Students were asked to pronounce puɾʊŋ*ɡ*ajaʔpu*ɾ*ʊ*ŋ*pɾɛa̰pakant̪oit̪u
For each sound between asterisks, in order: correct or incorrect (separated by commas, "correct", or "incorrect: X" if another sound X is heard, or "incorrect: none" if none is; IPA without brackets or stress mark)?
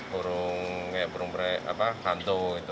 incorrect: k, correct, correct